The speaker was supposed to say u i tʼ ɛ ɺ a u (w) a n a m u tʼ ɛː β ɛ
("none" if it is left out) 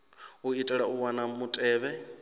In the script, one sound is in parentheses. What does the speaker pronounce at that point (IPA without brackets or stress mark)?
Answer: w